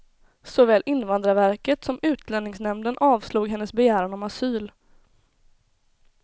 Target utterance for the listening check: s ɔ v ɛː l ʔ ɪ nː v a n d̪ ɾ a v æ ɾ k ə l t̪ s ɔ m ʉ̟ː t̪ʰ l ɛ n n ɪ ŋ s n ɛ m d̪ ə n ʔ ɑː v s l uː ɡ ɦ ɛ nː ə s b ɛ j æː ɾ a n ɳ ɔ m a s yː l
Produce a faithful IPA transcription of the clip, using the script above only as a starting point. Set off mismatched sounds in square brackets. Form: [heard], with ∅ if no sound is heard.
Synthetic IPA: s ɔ v ɛː l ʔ ɪ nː v a n d̪ ɾ a v æ ɾ k ə [∅] t̪ s ɔ m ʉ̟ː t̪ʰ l ɛ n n ɪ ŋ s n ɛ m d̪ ə n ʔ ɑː v s l uː ɡ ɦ ɛ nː ə s b ɛ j æː ɾ a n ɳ ɔ m a s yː l